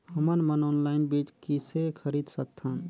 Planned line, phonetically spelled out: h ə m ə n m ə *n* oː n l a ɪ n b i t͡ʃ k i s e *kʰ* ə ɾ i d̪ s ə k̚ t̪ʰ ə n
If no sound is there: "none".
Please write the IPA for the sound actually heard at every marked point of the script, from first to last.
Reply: n, kʰ

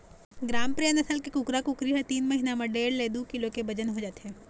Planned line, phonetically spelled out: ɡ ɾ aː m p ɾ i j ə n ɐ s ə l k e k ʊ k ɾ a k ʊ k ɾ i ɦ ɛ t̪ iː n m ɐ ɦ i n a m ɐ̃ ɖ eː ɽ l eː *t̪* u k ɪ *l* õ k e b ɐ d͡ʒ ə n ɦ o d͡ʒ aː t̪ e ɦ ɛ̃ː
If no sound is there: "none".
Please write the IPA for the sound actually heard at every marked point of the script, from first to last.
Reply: d̪, l

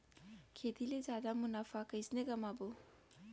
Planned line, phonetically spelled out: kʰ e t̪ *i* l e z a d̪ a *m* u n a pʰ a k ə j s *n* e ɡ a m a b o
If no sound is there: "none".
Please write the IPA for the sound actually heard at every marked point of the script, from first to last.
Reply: i, m, n

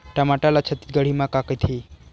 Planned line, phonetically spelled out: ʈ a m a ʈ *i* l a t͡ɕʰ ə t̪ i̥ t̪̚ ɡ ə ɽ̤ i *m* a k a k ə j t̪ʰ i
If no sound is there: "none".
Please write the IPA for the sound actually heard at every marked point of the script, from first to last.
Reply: a, m

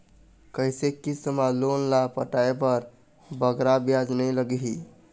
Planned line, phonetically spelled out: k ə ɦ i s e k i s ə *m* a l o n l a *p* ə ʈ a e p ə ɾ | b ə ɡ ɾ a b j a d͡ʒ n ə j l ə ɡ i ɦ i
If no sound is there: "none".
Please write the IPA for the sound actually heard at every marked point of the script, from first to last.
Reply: m, p

